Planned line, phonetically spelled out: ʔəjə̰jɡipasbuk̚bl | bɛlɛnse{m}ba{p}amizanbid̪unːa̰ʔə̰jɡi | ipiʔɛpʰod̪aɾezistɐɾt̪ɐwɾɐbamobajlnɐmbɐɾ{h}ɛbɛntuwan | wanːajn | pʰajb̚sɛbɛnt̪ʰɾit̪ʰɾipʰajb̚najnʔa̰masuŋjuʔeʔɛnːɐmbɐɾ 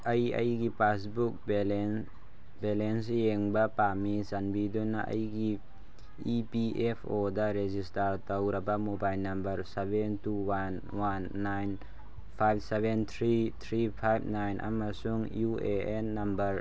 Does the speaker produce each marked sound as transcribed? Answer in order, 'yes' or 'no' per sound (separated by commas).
no, yes, no